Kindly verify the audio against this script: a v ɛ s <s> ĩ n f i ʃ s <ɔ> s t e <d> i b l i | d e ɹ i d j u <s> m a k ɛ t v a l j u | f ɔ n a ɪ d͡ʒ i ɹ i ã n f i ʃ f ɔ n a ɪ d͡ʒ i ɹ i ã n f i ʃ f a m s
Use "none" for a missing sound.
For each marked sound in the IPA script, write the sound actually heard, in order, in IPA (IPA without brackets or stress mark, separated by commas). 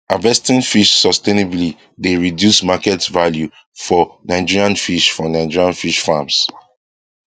t, ɔ, n, s